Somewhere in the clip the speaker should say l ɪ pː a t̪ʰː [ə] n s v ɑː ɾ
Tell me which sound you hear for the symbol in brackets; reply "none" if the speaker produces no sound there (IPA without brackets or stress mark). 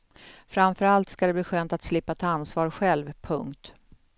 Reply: a